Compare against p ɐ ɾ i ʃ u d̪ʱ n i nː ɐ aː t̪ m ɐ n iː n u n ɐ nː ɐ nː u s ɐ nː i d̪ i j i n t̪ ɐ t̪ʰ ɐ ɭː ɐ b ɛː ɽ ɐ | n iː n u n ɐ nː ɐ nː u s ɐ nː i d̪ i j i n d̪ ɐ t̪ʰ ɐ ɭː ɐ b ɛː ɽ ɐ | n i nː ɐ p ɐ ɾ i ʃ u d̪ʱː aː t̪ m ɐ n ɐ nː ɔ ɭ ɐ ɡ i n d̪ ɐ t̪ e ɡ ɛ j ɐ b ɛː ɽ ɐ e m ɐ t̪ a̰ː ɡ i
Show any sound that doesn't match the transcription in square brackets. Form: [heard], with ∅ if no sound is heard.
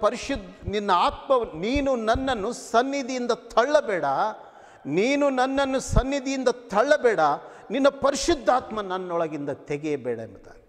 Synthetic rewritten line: p ɐ ɾ i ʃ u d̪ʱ n i nː ɐ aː t̪ m ɐ n iː n u n ɐ nː ɐ nː u s ɐ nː i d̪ i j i n [d̪] ɐ t̪ʰ ɐ ɭː ɐ b ɛː ɽ ɐ | n iː n u n ɐ nː ɐ nː u s ɐ nː i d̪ i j i n d̪ ɐ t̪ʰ ɐ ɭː ɐ b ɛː ɽ ɐ | n i nː ɐ p ɐ ɾ i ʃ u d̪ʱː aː t̪ m ɐ n ɐ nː ɔ ɭ ɐ ɡ i n d̪ ɐ t̪ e ɡ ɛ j ɐ b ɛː ɽ ɐ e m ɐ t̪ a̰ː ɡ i

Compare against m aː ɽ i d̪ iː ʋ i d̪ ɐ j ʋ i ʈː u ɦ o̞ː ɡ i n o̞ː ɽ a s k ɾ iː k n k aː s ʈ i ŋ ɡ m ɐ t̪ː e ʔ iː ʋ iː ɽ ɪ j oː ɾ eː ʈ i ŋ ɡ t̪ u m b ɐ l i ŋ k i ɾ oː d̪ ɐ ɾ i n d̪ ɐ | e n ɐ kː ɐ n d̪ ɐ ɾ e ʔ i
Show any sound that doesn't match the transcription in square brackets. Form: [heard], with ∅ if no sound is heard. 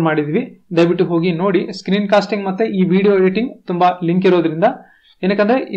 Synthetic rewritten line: m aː ɽ i d̪ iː ʋ i d̪ ɐ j ʋ i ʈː u ɦ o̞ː ɡ i n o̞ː ɽ [i] s k ɾ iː [∅] n k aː s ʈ i ŋ ɡ m ɐ t̪ː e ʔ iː ʋ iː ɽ [i] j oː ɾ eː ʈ i ŋ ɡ t̪ u m b ɐ l i ŋ k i ɾ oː d̪ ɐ ɾ i n d̪ ɐ | e n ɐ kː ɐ n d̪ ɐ ɾ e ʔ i

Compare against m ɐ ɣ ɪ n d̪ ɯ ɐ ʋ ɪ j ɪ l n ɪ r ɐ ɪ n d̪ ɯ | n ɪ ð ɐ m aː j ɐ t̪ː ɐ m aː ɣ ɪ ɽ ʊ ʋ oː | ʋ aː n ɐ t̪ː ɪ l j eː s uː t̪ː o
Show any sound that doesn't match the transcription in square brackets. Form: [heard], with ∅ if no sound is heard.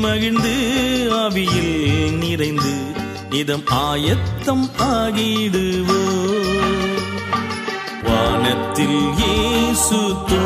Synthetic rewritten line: m ɐ ɣ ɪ n d̪ ɯ ɐ ʋ ɪ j ɪ l n ɪ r ɐ ɪ n d̪ ɯ | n ɪ ð ɐ m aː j ɐ t̪ː ɐ m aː ɣ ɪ ɽ [ɯ] ʋ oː | ʋ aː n ɐ t̪ː ɪ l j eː s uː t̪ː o

